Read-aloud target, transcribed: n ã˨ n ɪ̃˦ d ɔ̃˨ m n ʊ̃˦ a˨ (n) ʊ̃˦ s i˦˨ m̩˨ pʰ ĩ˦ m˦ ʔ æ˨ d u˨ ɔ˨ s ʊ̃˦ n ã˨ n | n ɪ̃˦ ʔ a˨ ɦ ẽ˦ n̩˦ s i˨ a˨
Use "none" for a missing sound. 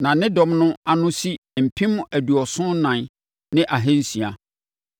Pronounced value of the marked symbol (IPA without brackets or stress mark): n